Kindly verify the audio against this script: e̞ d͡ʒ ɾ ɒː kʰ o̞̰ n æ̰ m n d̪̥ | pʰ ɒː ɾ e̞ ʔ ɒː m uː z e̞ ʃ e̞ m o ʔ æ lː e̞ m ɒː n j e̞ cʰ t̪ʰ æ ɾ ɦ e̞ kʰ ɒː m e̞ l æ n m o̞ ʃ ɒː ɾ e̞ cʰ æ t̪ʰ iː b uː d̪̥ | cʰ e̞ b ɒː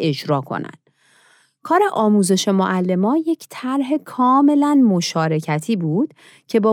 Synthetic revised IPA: e̞ d͡ʒ ɾ ɒː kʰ o̞̰ n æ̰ n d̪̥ | kʰ ɒː ɾ e̞ ʔ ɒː m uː z e̞ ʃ e̞ m o ʔ æ lː e̞ m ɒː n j e̞ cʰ t̪ʰ æ ɾ ɦ e̞ kʰ ɒː m e̞ l æ n m o̞ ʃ ɒː ɾ e̞ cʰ æ t̪ʰ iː b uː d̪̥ | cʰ e̞ b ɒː